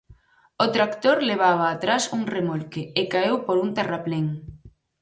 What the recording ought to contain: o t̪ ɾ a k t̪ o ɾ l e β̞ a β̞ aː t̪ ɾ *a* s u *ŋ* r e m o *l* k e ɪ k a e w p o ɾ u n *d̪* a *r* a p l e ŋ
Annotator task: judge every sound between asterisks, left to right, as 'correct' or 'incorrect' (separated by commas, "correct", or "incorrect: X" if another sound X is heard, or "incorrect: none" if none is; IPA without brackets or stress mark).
correct, correct, correct, incorrect: t̪, correct